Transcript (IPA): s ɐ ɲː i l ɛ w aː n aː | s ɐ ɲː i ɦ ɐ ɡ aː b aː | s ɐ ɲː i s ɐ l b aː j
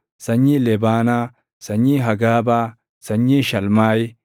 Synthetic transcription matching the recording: s ɐ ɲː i l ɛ b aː n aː | s ɐ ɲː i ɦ ɐ ɡ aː b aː | s ɐ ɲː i ʃ ɐ l m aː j